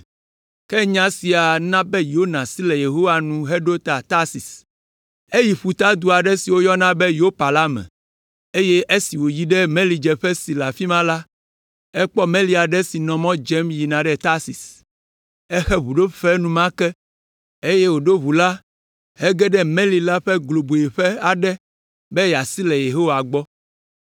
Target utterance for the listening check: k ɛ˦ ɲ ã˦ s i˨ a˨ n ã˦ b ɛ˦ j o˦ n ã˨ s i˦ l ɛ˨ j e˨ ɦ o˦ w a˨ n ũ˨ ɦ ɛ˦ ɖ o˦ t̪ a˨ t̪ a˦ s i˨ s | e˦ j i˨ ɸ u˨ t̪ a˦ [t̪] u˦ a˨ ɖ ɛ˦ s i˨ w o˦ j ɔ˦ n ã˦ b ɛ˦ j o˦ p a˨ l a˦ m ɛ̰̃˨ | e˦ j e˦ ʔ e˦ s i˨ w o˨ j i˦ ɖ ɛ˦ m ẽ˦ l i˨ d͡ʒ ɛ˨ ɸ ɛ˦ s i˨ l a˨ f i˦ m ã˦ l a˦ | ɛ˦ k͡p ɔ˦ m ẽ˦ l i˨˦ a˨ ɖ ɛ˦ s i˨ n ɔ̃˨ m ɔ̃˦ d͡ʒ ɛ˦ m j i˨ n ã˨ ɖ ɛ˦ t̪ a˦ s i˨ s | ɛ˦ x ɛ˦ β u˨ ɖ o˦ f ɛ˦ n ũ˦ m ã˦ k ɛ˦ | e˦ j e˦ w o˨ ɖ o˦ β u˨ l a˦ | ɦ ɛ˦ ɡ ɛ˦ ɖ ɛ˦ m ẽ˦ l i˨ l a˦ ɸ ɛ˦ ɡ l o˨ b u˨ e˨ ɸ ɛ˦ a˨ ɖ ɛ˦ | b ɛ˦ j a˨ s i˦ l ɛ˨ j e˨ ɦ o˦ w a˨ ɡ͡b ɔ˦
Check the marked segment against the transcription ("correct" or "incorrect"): incorrect